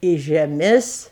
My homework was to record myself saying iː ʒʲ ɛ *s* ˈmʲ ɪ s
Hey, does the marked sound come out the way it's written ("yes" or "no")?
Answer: no